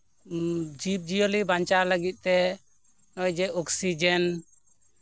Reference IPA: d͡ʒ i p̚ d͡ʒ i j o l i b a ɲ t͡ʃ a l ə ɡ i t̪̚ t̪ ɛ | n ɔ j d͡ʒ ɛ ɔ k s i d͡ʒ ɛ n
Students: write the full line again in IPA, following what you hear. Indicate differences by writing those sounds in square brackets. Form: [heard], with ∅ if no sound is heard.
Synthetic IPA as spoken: d͡ʒ i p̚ d͡ʒ i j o l i b a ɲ t͡ʃ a l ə ɡ i t̪̚ t̪ ɛ | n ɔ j d͡ʒ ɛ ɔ k s i d͡ʒ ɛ n